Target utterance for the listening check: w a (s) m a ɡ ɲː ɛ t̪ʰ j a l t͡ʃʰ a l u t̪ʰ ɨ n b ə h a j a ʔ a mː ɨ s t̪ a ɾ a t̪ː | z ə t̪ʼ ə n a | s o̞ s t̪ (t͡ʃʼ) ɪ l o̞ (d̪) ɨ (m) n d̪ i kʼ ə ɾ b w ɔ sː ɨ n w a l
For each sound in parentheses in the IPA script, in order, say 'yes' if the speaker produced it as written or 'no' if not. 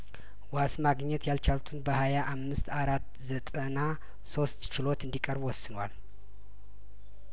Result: yes, no, no, no

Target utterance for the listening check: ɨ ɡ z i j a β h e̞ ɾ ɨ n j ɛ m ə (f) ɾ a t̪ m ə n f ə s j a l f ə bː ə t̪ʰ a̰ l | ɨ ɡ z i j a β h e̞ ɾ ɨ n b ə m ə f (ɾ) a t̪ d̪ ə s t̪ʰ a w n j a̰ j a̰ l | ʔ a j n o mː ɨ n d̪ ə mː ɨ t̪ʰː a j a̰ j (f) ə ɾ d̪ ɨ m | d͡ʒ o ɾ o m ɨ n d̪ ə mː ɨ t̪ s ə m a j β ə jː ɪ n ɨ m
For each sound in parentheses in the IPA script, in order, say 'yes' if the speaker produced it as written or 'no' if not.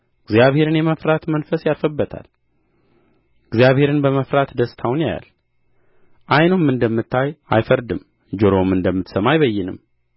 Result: yes, yes, yes

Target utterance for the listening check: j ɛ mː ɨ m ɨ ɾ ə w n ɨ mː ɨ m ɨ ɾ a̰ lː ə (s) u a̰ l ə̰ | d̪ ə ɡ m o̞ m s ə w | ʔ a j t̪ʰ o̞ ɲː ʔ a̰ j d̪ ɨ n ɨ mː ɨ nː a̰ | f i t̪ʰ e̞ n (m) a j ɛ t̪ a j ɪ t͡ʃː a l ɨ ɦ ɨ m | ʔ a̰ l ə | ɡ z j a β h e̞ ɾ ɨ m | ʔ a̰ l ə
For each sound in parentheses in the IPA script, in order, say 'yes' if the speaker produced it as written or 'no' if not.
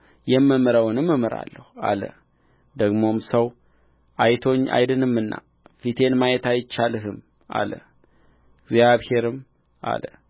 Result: no, yes

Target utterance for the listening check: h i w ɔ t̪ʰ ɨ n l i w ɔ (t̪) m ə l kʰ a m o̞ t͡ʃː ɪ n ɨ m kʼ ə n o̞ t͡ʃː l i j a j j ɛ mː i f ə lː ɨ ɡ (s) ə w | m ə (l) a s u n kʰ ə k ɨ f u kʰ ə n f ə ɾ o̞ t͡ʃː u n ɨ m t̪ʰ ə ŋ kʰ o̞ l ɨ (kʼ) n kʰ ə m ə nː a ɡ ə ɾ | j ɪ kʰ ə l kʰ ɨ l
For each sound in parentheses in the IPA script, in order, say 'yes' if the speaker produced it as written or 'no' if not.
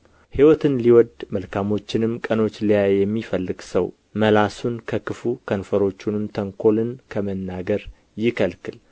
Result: no, yes, yes, no

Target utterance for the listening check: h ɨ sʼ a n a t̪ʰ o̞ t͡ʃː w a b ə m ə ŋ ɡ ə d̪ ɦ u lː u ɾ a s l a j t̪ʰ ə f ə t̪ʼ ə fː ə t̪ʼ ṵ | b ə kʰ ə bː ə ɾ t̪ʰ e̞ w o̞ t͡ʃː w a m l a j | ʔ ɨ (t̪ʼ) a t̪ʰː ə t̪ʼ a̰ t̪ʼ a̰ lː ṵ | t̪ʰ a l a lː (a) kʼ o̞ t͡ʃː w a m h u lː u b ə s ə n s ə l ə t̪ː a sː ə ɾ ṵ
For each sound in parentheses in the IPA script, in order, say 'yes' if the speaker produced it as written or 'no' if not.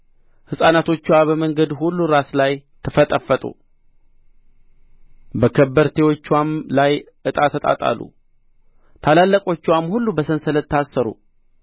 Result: yes, no

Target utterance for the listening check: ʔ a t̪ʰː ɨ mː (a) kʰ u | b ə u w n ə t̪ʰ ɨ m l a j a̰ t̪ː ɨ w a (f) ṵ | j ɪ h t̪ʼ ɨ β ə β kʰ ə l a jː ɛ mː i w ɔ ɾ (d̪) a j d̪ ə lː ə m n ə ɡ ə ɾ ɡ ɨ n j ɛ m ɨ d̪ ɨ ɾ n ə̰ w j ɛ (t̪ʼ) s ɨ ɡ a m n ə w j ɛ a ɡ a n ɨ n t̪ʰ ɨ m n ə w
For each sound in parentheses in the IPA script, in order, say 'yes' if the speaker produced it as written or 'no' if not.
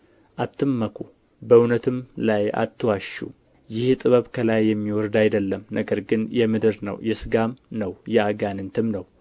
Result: no, no, yes, no

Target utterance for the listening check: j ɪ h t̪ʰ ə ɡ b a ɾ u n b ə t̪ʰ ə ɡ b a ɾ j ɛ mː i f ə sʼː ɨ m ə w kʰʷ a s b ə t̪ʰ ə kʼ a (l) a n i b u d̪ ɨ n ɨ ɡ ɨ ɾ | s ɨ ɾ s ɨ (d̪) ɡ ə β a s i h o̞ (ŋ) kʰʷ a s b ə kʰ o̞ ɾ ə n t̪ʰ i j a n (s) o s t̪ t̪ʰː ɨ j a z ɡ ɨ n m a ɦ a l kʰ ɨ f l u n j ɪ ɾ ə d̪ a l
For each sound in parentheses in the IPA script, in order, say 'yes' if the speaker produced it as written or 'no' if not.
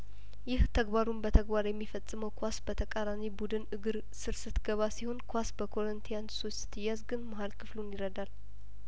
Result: no, no, no, yes

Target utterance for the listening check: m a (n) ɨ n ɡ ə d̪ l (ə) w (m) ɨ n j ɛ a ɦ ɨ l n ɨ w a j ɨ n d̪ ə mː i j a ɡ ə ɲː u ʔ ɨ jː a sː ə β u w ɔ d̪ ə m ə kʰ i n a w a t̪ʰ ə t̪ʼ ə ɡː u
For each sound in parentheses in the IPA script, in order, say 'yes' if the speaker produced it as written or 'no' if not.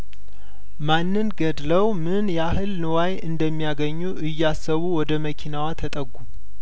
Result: no, yes, yes

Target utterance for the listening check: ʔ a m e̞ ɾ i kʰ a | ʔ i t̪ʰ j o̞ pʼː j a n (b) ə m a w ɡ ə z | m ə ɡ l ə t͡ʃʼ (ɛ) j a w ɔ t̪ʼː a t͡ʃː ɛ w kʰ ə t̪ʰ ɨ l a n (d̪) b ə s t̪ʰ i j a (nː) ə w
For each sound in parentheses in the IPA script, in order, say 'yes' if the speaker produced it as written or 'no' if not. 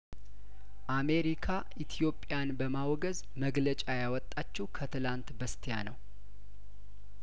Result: yes, no, no, no

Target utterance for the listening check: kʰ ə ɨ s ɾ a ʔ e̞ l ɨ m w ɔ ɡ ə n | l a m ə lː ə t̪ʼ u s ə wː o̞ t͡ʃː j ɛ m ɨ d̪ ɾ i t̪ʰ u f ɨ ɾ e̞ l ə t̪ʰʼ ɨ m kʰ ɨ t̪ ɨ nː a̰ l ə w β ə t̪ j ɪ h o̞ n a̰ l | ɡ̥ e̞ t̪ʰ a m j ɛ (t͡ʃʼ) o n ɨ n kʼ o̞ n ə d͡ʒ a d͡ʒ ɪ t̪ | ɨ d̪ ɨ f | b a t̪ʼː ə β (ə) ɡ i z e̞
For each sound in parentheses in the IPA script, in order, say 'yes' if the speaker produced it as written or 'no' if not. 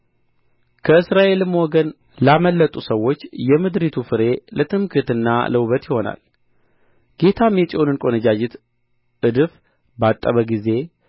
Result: yes, yes

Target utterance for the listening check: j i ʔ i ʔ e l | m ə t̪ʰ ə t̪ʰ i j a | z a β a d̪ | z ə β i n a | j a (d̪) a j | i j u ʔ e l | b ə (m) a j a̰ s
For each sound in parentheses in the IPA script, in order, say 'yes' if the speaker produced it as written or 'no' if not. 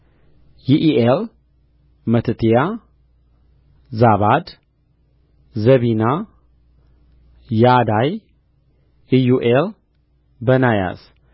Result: yes, no

